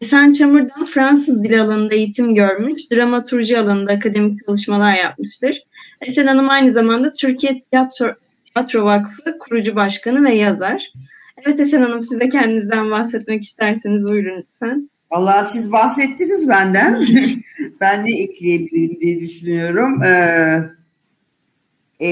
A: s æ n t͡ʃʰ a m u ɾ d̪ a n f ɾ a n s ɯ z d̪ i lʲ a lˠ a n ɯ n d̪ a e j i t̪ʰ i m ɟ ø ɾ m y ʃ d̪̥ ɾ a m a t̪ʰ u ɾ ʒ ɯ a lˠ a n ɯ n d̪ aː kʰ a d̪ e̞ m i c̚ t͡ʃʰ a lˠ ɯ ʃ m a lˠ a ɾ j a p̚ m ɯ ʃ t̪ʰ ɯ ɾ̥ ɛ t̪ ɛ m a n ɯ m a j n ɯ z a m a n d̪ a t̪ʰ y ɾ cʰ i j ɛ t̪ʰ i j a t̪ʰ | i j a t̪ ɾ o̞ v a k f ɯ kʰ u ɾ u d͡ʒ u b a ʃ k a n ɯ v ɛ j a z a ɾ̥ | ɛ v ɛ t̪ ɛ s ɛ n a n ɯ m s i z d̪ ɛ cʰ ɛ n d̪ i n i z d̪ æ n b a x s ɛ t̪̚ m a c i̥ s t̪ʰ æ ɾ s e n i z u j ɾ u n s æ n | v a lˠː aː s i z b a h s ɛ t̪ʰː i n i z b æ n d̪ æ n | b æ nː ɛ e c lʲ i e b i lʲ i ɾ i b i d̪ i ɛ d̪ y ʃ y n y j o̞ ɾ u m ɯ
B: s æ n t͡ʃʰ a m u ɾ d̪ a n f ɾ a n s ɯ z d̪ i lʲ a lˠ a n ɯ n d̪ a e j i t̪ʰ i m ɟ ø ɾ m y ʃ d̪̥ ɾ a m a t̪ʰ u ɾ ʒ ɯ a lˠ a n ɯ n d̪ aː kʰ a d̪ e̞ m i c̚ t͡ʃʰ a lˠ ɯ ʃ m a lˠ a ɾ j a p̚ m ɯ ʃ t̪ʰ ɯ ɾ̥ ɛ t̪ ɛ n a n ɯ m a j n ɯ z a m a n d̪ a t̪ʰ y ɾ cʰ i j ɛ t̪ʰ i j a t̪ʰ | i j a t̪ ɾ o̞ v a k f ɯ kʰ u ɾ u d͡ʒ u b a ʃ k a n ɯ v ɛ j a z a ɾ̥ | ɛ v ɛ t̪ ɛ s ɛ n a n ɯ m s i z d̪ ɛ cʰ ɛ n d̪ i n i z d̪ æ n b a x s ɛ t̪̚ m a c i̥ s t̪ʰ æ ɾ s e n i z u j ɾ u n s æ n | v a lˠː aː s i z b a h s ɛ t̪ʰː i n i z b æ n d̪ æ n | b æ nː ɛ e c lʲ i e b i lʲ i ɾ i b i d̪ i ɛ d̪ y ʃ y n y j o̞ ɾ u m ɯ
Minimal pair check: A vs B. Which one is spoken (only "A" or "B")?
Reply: B